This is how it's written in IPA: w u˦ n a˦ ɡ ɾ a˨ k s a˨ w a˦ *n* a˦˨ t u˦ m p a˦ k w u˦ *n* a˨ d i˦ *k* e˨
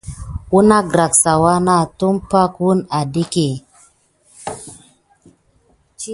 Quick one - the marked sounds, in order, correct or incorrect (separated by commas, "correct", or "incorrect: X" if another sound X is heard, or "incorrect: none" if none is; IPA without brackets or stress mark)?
correct, correct, correct